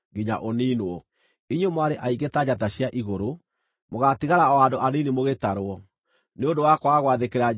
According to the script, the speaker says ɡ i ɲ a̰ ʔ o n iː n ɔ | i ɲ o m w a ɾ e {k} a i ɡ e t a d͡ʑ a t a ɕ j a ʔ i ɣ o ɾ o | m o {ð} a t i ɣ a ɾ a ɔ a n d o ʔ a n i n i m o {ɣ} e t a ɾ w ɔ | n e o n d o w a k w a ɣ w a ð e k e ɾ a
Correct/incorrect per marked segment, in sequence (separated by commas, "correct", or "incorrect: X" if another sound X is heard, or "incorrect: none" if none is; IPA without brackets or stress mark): incorrect: ʔ, incorrect: ɣ, correct